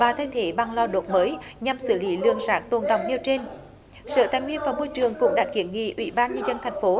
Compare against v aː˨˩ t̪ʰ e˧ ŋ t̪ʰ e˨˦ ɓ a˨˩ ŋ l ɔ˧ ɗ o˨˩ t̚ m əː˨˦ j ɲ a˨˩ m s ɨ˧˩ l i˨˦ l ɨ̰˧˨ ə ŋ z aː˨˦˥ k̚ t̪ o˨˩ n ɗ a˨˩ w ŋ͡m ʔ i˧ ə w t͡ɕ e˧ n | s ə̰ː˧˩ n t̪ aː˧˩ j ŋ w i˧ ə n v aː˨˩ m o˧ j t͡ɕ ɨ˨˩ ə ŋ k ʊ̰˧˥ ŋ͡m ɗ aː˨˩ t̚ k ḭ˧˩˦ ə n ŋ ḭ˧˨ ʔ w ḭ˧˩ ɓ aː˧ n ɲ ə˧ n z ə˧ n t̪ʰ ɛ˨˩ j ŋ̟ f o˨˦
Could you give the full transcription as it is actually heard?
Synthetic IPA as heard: v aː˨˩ t̪ʰ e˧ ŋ t̪ʰ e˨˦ ɓ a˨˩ ŋ l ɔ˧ ɗ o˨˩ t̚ m əː˨˦ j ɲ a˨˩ m s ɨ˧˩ l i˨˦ l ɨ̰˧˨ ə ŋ z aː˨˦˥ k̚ t̪ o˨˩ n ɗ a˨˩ w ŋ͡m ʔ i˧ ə w t͡ɕ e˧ n | s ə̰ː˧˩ t̪ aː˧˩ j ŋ w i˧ ə n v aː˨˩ m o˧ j t͡ɕ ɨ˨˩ ə ŋ k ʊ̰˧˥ ŋ͡m ɗ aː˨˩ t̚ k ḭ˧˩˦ ə n ŋ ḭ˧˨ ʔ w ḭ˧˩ ɓ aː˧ n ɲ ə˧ n z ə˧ n t̪ʰ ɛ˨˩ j ŋ̟ f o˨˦